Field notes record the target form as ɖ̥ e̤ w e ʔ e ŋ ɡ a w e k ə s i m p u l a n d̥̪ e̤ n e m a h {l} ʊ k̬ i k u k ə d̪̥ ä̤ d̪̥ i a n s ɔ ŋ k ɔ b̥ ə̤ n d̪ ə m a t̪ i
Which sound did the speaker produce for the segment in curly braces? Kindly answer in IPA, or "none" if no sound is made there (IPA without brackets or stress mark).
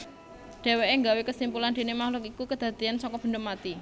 l